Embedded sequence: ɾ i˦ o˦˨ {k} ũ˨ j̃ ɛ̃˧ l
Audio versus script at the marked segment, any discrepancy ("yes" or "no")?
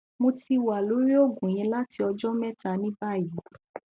yes